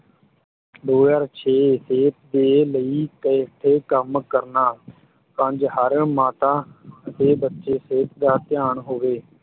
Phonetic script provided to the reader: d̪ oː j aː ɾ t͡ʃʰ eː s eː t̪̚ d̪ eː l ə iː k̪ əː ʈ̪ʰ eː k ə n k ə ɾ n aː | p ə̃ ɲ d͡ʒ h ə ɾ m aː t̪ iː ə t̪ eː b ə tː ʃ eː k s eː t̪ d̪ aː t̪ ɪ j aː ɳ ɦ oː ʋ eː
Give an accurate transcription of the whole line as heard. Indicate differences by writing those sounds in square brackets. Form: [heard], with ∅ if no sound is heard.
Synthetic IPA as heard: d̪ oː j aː ɾ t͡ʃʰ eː s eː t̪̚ d̪ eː l ə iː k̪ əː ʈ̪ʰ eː k ə [m] k ə ɾ n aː | p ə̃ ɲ d͡ʒ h ə ɾ m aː t̪ [aː] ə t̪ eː b ə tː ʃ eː [∅] s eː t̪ d̪ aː t̪ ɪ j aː ɳ ɦ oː ʋ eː